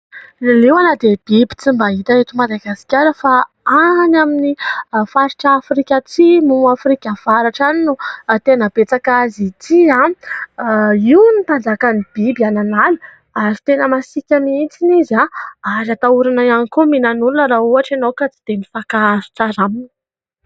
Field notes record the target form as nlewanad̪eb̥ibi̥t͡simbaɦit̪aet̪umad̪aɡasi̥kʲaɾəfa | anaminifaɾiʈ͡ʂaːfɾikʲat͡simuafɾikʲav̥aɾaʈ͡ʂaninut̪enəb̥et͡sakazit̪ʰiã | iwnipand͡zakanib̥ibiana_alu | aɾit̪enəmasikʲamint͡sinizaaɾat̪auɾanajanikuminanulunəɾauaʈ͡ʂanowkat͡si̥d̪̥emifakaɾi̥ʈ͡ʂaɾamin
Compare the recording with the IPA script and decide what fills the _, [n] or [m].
n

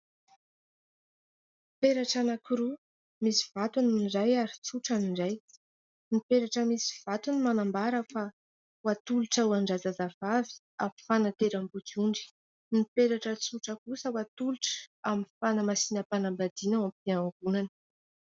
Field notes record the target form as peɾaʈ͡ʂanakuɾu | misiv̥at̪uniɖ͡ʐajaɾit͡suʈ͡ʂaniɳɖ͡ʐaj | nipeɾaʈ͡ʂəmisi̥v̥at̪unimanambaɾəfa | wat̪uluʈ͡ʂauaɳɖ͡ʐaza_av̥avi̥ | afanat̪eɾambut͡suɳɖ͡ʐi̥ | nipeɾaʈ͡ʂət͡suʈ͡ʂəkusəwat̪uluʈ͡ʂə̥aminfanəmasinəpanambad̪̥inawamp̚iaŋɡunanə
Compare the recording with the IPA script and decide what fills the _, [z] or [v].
z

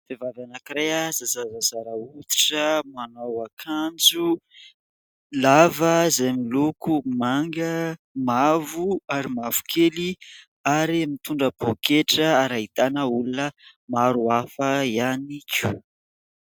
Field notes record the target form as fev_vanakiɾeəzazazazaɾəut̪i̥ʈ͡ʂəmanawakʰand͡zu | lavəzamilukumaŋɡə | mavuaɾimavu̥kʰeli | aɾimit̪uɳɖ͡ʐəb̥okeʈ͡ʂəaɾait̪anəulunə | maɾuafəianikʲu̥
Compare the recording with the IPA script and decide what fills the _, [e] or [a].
a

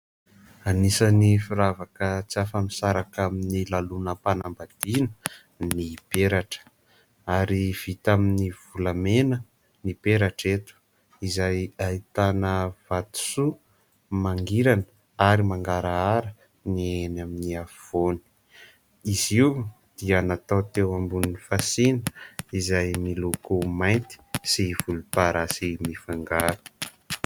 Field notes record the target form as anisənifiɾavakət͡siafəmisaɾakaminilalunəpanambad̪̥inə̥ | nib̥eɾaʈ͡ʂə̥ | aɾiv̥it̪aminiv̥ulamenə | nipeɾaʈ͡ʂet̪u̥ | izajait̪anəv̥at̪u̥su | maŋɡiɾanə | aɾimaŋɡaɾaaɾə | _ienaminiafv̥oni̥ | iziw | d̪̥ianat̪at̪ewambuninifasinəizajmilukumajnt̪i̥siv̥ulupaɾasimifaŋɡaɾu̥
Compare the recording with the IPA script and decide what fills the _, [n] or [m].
n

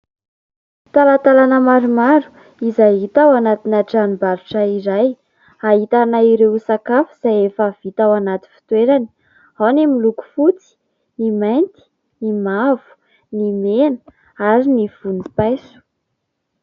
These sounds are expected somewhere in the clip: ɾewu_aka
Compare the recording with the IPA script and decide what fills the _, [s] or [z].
s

